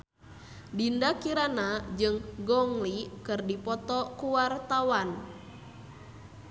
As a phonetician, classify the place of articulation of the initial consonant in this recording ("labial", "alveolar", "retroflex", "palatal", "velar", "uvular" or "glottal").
alveolar